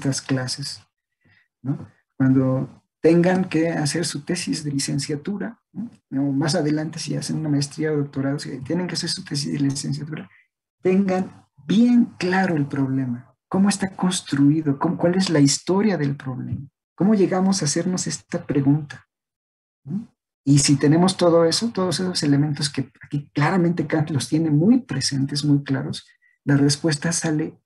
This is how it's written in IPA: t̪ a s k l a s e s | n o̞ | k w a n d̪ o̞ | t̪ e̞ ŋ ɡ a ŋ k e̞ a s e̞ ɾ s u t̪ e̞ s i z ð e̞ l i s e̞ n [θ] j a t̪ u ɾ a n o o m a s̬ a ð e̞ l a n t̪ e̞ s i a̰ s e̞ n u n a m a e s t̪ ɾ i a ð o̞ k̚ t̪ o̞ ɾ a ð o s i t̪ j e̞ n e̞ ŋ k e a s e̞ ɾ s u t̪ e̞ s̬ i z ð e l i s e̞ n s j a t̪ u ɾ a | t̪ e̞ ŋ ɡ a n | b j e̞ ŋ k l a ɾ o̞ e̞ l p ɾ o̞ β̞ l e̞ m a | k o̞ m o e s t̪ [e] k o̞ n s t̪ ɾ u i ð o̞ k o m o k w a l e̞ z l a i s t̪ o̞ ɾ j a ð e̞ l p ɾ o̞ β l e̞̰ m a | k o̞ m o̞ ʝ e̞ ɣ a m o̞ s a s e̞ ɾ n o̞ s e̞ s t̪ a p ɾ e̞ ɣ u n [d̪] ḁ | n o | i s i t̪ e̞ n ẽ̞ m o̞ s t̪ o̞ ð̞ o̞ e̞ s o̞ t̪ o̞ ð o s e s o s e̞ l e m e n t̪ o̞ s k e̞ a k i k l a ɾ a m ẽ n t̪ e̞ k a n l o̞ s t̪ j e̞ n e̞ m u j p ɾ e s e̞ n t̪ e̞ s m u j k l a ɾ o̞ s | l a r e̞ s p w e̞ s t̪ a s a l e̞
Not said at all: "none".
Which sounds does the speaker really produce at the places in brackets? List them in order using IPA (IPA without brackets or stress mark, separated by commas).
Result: s, a, t̪